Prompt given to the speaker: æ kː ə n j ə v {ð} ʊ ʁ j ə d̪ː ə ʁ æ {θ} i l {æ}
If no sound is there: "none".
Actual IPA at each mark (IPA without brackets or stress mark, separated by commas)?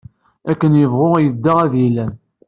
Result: ʁ, ð, æ